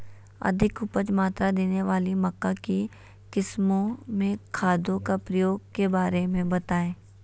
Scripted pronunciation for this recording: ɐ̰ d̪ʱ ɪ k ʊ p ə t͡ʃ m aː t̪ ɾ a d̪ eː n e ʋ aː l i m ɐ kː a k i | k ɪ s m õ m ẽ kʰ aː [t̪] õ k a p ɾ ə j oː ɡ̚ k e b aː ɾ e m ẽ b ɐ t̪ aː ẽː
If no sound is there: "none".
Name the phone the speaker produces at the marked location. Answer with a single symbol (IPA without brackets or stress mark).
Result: d̪